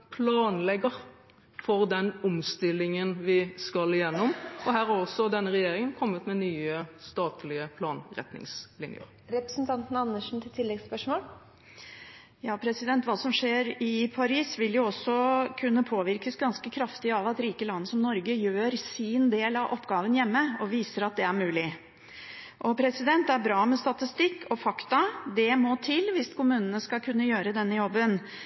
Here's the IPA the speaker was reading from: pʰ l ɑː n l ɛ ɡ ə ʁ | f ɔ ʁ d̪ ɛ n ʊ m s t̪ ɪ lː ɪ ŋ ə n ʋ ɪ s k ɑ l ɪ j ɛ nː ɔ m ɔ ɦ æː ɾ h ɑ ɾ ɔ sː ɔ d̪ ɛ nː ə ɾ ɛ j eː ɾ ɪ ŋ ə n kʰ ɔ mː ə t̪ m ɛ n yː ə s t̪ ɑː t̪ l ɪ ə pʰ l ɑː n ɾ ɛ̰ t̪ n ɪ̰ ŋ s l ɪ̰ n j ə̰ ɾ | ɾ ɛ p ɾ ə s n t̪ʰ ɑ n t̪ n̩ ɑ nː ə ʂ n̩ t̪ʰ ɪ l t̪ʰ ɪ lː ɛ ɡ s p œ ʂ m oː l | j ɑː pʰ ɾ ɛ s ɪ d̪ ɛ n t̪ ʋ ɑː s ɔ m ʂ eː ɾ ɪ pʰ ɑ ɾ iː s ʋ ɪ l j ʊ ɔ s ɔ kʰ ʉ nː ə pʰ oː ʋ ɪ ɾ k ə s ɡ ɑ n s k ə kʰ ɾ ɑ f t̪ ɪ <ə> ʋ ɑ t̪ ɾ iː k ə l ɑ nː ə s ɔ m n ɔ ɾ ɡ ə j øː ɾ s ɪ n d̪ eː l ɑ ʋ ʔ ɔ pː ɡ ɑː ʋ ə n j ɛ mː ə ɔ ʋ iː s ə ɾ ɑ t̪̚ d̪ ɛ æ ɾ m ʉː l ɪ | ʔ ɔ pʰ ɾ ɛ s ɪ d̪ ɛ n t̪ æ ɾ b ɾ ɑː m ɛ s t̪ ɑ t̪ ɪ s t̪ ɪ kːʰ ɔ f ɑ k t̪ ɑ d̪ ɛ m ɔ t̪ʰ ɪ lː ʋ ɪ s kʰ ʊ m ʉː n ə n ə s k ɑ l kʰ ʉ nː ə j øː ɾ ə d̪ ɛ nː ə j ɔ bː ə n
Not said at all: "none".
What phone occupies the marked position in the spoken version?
ɑ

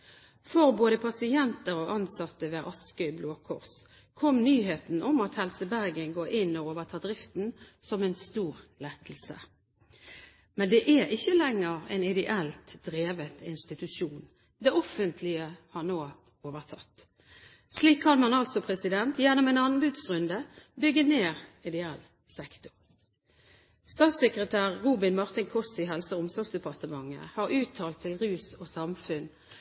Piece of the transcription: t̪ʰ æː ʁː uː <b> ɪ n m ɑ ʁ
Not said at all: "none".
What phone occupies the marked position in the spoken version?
b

